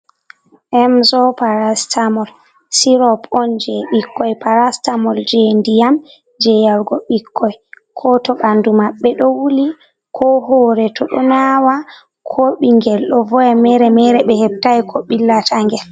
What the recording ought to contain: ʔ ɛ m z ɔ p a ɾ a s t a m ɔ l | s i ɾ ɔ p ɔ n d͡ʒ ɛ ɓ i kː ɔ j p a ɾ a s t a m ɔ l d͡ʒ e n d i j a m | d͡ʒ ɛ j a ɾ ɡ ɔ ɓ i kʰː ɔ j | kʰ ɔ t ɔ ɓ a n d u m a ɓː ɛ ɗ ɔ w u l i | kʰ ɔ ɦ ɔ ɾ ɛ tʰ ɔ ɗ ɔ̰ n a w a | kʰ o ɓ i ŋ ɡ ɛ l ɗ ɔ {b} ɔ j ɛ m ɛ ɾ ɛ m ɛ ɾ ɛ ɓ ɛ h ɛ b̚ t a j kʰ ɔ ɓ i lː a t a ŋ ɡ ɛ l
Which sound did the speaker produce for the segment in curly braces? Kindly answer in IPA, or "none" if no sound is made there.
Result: v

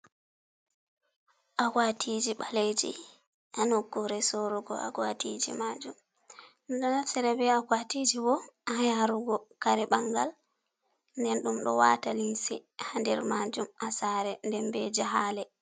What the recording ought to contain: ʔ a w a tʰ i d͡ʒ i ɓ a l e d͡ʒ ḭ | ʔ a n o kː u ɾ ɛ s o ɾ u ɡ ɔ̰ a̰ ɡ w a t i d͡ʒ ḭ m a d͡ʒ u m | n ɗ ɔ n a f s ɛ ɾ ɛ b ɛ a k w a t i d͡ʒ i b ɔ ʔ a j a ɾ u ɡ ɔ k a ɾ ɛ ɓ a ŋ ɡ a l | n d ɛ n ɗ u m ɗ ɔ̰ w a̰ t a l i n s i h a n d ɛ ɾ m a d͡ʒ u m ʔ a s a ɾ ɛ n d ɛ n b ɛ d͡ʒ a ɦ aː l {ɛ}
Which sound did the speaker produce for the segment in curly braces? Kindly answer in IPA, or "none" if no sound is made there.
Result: ɛ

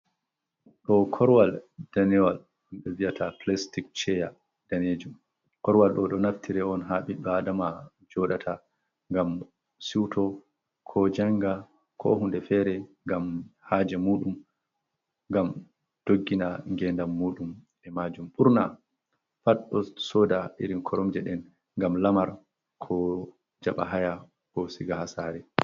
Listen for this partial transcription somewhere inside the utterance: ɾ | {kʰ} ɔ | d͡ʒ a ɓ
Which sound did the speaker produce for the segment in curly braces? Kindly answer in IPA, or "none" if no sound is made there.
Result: kʰ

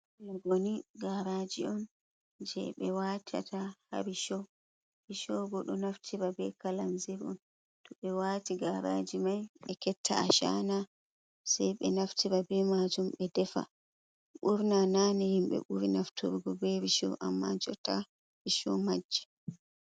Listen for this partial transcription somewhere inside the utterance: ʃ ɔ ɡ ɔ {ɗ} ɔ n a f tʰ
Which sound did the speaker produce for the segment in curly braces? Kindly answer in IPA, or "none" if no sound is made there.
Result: ɗ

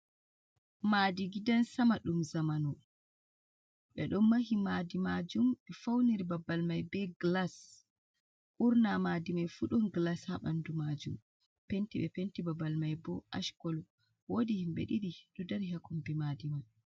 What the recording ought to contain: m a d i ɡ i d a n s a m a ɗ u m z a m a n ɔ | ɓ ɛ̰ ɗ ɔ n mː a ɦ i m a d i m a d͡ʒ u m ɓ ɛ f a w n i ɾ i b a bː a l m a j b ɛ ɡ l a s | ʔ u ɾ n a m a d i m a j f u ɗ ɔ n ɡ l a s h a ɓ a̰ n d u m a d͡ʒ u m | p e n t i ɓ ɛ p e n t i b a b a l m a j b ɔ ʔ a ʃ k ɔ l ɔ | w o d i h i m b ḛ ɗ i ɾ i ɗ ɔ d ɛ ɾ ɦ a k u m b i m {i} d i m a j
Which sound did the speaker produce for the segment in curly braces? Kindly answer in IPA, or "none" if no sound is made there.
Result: a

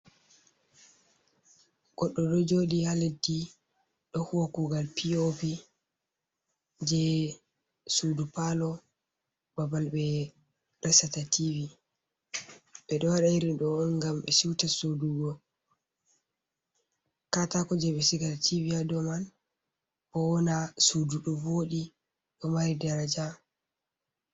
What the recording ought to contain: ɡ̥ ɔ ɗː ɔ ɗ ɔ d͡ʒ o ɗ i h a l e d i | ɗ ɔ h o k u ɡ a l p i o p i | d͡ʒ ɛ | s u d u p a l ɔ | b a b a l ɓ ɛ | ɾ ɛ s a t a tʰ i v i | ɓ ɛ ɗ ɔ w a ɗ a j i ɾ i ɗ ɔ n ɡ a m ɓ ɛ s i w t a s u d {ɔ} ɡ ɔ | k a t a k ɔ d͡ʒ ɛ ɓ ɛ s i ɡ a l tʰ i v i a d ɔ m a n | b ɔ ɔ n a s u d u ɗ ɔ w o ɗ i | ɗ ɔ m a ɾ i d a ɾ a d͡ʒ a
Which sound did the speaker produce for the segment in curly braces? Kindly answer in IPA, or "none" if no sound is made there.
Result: u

